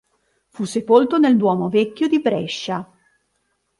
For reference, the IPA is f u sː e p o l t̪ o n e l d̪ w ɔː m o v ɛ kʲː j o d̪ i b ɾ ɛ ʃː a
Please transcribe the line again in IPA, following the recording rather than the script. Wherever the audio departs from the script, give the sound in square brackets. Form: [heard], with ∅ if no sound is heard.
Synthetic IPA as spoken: f u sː e p o l t̪ o n e l d̪ w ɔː m o v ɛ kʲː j o d̪ i b ɾ ɛ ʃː a